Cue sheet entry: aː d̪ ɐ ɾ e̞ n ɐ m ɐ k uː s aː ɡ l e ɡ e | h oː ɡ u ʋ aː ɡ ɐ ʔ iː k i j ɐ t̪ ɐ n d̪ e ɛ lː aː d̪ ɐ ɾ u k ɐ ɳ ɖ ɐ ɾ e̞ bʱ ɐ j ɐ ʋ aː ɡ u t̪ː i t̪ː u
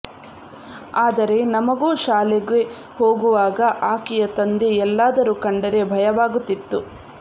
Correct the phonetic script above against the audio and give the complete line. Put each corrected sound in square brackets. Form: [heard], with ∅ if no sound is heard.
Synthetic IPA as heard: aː d̪ ɐ ɾ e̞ n ɐ m ɐ [ɡ] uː [ʃ] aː [∅] l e ɡ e | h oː ɡ u ʋ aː ɡ ɐ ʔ [aː] k i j ɐ t̪ ɐ n d̪ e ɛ lː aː d̪ ɐ ɾ u k ɐ ɳ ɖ ɐ ɾ e̞ bʱ ɐ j ɐ ʋ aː ɡ u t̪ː i t̪ː u

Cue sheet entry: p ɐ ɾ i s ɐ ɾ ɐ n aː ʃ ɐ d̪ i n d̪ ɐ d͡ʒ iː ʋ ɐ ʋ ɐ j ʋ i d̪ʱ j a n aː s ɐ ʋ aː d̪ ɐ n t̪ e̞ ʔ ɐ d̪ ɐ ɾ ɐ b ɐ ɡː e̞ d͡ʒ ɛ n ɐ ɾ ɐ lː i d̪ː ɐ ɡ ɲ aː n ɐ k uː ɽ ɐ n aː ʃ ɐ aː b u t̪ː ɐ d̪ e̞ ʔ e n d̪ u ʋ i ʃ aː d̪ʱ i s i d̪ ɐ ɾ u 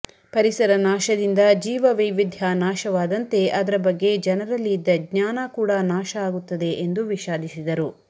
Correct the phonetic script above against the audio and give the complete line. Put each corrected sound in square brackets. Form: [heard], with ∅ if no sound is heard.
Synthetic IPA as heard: p ɐ ɾ i s ɐ ɾ ɐ n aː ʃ ɐ d̪ i n d̪ ɐ d͡ʒ iː ʋ ɐ ʋ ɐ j ʋ i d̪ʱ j a n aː [ʃ] ɐ ʋ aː d̪ ɐ n t̪ e̞ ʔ ɐ d̪ ɐ ɾ ɐ b ɐ ɡː e̞ d͡ʒ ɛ n ɐ ɾ ɐ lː i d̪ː ɐ ɡ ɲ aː n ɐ k uː ɽ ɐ n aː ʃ ɐ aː [ɡ] u t̪ː ɐ d̪ e̞ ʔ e n d̪ u ʋ i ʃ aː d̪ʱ i s i d̪ ɐ ɾ u

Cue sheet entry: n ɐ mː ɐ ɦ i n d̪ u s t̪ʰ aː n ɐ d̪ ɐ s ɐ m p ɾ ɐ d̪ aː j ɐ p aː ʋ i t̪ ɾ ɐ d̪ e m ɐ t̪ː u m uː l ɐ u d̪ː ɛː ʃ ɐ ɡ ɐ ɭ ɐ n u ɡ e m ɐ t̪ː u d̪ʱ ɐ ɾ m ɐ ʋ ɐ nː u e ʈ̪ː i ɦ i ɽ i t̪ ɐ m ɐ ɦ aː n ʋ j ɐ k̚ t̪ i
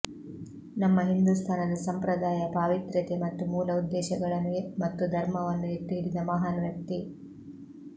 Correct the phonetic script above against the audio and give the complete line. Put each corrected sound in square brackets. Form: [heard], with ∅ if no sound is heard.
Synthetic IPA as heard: n ɐ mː ɐ ɦ i n d̪ u s t̪ʰ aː n ɐ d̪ ɐ s ɐ m p ɾ ɐ d̪ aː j ɐ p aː ʋ i t̪ ɾ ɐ [t̪] e m ɐ t̪ː u m uː l ɐ u d̪ː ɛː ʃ ɐ ɡ ɐ ɭ ɐ n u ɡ e m ɐ t̪ː u d̪ʱ ɐ ɾ m ɐ ʋ ɐ nː u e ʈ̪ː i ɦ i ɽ i [d̪] ɐ m ɐ ɦ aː n ʋ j ɐ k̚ t̪ i

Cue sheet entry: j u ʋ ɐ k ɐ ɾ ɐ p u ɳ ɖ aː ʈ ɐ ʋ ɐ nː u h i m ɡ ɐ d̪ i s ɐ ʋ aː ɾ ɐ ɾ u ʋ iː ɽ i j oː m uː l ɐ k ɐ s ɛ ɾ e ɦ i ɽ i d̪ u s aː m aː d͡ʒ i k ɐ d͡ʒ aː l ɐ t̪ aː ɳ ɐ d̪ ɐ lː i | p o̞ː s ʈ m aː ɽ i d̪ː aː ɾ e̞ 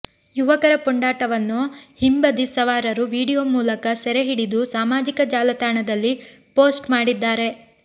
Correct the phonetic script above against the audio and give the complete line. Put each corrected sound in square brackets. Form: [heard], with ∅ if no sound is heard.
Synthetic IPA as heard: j u ʋ ɐ k ɐ ɾ ɐ p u ɳ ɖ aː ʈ ɐ ʋ ɐ nː u h i m [b] ɐ d̪ i s ɐ ʋ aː ɾ ɐ ɾ u ʋ iː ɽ i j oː m uː l ɐ k ɐ s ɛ ɾ e ɦ i ɽ i d̪ u s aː m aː d͡ʒ i k ɐ d͡ʒ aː l ɐ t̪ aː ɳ ɐ d̪ ɐ lː i | p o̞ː s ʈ m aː ɽ i d̪ː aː ɾ e̞

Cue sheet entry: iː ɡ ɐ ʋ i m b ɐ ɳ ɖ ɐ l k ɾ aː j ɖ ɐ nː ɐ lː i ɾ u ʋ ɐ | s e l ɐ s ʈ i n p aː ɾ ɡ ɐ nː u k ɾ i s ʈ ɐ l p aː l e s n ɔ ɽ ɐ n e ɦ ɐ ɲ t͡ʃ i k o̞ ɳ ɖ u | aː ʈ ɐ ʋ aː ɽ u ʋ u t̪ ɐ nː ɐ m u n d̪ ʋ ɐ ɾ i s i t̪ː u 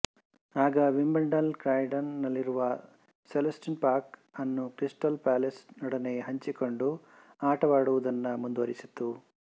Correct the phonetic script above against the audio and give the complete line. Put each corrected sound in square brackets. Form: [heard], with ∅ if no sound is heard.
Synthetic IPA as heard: [aː] ɡ ɐ ʋ i m b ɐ ɳ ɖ ɐ l k ɾ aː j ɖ ɐ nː ɐ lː i ɾ u ʋ ɐ | s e l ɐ s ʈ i n p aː ɾ [k] ɐ nː u k ɾ i s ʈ ɐ l p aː l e s n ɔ ɽ ɐ n e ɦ ɐ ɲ t͡ʃ i k o̞ ɳ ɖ u | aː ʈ ɐ ʋ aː ɽ u ʋ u [d̪] ɐ nː ɐ m u n d̪ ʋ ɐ ɾ i s i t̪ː u

